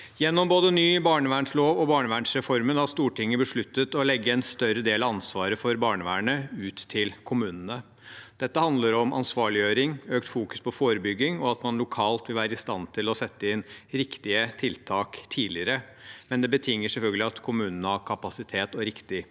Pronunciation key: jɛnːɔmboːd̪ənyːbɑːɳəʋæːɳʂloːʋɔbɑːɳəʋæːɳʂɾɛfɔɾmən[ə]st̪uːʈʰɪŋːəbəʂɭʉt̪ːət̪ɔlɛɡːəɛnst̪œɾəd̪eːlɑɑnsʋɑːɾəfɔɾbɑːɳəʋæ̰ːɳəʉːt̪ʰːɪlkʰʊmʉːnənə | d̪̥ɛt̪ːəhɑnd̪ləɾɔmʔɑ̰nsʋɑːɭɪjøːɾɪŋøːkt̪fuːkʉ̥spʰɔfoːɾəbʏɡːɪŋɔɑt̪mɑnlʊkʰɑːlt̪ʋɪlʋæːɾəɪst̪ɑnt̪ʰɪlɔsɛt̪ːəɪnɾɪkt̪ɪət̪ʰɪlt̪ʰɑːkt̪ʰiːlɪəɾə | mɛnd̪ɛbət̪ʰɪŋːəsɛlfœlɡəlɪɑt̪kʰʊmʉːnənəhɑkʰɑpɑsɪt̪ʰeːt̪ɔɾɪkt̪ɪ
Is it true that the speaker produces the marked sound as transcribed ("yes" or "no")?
no